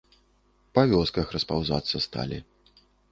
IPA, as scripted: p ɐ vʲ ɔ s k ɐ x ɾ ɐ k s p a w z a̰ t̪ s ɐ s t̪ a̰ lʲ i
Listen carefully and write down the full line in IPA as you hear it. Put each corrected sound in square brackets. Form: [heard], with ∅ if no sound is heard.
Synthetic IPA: p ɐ vʲ ɔ s k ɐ x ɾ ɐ [∅] s p a w z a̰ t̪ [sː] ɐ s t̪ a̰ lʲ i